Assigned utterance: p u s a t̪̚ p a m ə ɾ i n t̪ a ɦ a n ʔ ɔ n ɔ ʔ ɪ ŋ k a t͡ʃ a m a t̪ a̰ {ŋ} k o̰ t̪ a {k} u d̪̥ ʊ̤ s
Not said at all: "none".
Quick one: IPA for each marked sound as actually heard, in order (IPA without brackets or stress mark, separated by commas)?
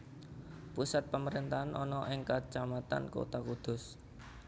n, k